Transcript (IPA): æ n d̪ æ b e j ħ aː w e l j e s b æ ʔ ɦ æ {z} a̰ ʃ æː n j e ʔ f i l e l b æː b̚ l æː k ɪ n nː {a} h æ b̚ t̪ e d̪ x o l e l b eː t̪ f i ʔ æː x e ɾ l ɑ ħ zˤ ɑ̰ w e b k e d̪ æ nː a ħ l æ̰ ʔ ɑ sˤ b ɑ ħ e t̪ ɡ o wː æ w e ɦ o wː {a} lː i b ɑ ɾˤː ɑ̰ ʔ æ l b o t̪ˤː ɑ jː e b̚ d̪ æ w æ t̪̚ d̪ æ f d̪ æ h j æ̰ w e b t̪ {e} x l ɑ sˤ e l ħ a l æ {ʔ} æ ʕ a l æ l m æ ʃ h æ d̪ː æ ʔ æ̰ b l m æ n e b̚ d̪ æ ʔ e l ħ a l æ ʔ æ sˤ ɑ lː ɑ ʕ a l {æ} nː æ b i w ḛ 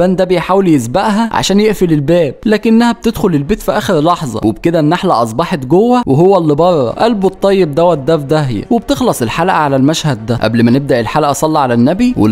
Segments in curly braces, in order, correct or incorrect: incorrect: ʕ, incorrect: æ, incorrect: æ, correct, correct, correct

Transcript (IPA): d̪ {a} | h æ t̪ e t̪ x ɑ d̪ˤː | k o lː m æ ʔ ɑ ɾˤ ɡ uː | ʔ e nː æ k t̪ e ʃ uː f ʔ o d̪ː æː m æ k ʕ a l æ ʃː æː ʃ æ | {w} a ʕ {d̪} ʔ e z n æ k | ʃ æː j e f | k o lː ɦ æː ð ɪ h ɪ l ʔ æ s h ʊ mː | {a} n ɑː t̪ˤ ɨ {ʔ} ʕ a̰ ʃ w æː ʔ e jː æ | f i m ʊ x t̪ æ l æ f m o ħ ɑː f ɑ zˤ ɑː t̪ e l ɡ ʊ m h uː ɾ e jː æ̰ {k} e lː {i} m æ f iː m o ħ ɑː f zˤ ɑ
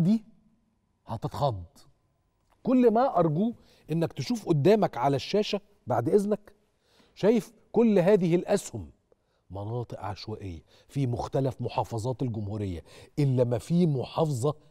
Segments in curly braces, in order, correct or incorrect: incorrect: i, incorrect: b, correct, incorrect: ɑ, correct, incorrect: ʔ, incorrect: æ

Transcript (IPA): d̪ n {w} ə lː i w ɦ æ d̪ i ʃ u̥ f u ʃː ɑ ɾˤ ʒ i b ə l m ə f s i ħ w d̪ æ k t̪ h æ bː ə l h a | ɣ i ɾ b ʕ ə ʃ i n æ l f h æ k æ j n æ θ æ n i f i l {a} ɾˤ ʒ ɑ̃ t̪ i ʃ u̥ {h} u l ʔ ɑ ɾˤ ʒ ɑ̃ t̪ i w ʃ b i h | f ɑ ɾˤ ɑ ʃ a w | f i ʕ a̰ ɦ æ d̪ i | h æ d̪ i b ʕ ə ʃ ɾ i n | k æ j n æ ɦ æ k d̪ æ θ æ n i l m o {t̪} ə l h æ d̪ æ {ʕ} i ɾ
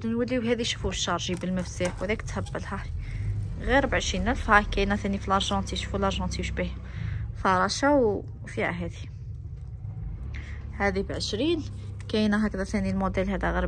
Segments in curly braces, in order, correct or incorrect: correct, incorrect: ɑ, incorrect: f, incorrect: d̪, incorrect: ɣ

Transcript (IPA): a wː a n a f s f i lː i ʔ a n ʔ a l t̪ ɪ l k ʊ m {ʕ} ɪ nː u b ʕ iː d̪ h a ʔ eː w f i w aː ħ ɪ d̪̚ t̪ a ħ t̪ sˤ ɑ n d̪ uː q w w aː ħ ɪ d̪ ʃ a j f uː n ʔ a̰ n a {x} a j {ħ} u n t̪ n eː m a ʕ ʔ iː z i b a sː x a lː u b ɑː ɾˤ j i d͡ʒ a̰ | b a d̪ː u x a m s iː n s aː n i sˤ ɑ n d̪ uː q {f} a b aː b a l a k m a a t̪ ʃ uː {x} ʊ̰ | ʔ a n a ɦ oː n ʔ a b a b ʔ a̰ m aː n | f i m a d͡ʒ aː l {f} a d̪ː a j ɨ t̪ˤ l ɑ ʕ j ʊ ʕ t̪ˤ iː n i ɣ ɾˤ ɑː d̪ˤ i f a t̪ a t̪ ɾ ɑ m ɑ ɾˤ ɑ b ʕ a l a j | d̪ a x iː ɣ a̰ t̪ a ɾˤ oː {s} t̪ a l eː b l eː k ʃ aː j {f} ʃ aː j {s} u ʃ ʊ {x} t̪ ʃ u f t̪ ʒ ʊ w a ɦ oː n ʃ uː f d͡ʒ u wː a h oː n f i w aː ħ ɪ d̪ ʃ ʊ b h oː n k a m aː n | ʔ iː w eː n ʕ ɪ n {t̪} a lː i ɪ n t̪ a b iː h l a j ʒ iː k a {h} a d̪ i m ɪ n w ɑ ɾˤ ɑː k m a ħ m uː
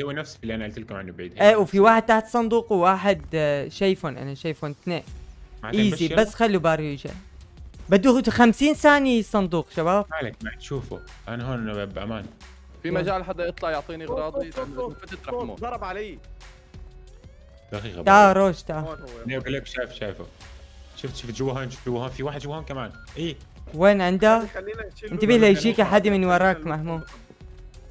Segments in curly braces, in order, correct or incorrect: correct, incorrect: ʃ, incorrect: f, incorrect: ʃ, incorrect: f, incorrect: ħ, incorrect: ʃ, correct, incorrect: f, incorrect: f, incorrect: d̪, incorrect: ħ

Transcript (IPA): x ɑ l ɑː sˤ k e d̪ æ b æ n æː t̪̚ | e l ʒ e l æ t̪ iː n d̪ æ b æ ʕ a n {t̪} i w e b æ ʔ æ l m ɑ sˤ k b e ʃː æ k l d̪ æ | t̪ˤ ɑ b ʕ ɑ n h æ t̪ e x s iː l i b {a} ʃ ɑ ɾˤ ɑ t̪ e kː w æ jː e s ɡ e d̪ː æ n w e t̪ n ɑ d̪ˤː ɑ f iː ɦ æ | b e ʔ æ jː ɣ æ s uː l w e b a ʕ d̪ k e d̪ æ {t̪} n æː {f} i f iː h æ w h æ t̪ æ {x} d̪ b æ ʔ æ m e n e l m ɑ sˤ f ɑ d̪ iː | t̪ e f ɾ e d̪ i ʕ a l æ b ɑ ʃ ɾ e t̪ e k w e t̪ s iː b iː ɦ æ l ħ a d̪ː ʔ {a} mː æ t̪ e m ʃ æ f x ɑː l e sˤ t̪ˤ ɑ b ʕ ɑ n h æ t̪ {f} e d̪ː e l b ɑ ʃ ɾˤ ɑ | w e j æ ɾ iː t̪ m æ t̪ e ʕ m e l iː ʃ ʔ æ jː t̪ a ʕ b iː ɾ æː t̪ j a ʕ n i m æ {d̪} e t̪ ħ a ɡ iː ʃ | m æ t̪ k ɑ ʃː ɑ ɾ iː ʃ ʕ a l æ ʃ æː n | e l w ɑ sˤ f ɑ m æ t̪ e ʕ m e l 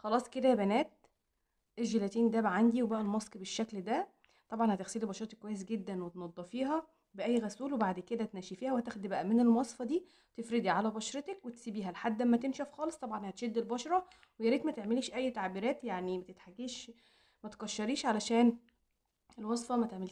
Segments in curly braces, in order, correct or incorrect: incorrect: d̪, incorrect: ɑ, correct, incorrect: ʃ, correct, incorrect: æ, incorrect: ʃ, incorrect: t̪

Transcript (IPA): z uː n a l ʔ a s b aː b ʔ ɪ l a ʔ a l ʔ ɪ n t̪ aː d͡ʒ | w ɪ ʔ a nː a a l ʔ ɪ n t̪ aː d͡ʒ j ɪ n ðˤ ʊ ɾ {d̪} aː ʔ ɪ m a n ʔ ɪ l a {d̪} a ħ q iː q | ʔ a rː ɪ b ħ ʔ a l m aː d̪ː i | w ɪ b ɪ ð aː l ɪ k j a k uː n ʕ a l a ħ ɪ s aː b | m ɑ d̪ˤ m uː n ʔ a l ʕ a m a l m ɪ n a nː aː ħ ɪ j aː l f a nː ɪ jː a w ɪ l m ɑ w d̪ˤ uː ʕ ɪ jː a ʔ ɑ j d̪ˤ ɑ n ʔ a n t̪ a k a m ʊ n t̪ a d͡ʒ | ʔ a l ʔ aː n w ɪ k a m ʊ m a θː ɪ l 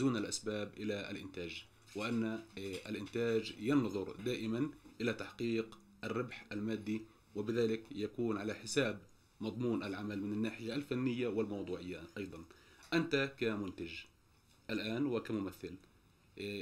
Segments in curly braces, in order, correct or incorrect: correct, incorrect: t̪

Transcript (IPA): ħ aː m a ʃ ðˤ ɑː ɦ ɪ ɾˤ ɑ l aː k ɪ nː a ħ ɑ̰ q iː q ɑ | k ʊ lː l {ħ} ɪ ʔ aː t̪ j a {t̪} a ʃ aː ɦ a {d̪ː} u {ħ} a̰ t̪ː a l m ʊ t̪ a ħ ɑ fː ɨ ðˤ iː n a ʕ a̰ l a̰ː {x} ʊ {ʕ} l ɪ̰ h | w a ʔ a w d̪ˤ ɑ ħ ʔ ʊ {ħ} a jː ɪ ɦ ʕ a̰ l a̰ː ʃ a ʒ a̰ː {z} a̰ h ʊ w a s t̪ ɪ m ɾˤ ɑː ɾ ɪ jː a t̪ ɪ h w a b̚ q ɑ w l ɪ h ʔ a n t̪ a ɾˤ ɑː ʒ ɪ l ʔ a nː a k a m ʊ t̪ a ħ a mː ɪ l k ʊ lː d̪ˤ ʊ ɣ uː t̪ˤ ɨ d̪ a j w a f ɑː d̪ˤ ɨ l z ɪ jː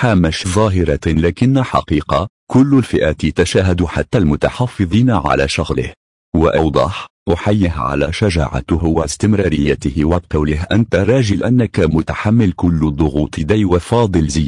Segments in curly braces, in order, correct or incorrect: incorrect: f, correct, incorrect: d̪, correct, incorrect: ʃ, incorrect: ɣ, correct, incorrect: ʕ

